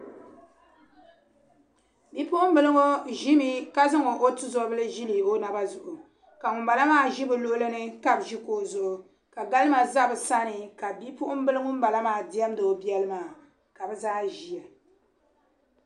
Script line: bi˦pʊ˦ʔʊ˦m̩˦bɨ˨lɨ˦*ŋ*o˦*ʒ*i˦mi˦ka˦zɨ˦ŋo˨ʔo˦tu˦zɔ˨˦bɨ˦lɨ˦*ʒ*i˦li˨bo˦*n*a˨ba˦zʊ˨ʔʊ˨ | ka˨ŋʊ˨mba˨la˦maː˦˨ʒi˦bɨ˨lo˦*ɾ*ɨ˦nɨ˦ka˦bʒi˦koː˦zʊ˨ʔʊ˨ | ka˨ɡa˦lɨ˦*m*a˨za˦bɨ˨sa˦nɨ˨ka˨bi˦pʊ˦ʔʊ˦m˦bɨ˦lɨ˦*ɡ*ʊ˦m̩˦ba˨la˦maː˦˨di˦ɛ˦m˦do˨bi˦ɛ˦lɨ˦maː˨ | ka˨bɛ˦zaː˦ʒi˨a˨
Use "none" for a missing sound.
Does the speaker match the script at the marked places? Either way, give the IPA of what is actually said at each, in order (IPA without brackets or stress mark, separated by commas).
ŋ, ʒ, ʒ, n, l, m, ŋ